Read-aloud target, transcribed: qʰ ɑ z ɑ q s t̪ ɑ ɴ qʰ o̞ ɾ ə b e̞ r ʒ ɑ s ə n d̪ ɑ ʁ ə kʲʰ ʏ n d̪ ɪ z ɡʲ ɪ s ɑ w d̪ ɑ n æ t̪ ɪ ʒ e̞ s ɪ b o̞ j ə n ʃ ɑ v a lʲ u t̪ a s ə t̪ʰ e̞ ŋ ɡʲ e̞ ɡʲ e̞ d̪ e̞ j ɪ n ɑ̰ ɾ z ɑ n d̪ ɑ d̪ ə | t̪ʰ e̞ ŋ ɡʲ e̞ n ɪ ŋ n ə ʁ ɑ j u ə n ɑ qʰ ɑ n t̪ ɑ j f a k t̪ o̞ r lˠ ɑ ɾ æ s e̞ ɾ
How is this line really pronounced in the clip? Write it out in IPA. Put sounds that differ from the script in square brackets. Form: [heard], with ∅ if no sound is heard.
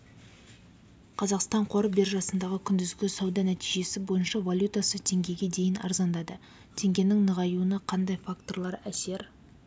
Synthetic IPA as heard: qʰ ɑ z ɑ q s t̪ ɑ ɴ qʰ o̞ ɾ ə b e̞ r ʒ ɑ s ə n d̪ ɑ ʁ ə kʲʰ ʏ n d̪ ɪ z ɡʲ ɪ s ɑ w d̪ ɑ n æ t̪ [i] ʒ e̞ s ɪ b o̞ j ə n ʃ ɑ v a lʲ u t̪ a s ə t̪ʰ e̞ ŋ ɡʲ e̞ ɡʲ e̞ d̪ e̞ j ɪ n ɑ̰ ɾ z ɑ n d̪ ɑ d̪ ə | t̪ʰ e̞ ŋ ɡʲ e̞ n ɪ ŋ n ə ʁ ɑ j u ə n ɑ qʰ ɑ n [d̪] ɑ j f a k t̪ o̞ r lˠ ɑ ɾ æ s e̞ ɾ